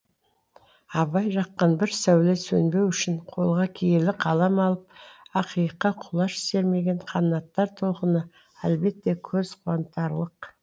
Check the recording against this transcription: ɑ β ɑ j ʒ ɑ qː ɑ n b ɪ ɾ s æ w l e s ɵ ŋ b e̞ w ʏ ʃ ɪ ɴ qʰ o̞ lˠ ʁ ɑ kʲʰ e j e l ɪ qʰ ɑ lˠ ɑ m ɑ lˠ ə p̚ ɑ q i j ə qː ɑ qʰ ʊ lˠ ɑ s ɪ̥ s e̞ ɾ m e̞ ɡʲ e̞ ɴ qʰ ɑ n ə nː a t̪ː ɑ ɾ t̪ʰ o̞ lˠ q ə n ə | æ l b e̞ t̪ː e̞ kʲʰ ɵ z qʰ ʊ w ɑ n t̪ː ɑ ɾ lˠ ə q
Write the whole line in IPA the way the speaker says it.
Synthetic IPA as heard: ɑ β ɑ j ʒ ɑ qː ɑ n b ɪ ɾ s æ w l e s ɵ n b e̞ w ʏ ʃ ɪ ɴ qʰ o̞ lˠ ʁ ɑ kʲʰ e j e l ɪ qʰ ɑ lˠ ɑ m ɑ lˠ ə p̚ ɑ q i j ə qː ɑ qʰ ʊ lˠ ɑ ʃ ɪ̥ s e̞ ɾ m e̞ ɡʲ e̞ ɴ qʰ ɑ n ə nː ɑ t̪ː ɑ ɾ t̪ʰ o̞ lˠ q ə n ə | æ l b e̞ t̪ː e̞ kʲʰ ɵ z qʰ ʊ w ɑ n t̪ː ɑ ɾ lˠ ə q